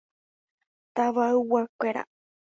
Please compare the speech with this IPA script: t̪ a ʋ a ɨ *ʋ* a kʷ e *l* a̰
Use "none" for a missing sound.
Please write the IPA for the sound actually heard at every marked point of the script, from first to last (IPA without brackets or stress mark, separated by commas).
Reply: w, ɾ